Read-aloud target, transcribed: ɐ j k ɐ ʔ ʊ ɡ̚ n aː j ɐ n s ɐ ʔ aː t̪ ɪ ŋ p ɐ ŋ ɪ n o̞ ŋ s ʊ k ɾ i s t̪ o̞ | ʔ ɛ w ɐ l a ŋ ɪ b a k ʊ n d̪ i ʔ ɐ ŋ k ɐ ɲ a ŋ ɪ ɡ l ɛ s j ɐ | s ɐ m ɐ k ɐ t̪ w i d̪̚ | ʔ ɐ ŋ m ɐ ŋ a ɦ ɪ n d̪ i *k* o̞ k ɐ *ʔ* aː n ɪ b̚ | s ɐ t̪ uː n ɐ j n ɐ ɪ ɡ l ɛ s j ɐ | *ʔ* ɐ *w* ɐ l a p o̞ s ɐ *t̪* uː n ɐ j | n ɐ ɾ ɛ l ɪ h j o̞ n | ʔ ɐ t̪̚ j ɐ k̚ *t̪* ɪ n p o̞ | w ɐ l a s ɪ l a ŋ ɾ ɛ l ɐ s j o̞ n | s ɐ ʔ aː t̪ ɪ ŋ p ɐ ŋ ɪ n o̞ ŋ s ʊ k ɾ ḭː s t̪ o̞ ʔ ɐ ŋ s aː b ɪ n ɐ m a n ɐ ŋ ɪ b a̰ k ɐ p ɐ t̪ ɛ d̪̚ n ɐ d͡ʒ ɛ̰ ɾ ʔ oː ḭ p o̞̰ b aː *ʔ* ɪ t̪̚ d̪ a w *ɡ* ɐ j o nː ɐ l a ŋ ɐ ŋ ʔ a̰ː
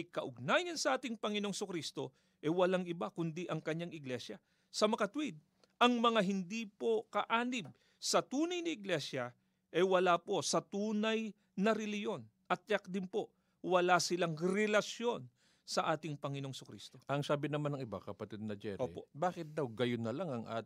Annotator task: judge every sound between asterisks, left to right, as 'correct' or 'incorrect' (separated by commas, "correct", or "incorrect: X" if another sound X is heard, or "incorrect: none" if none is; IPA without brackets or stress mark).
incorrect: p, correct, correct, correct, correct, incorrect: d̪, incorrect: k, correct